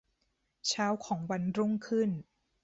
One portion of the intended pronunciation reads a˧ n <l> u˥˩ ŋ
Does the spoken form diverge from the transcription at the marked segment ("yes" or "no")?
yes